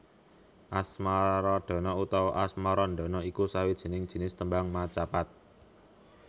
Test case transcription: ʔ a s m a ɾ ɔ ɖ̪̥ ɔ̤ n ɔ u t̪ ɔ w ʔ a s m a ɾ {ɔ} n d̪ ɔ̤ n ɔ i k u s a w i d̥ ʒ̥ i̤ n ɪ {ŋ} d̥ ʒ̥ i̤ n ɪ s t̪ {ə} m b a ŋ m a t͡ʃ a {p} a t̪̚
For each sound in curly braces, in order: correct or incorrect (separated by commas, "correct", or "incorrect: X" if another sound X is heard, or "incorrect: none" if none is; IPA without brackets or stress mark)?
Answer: correct, correct, correct, correct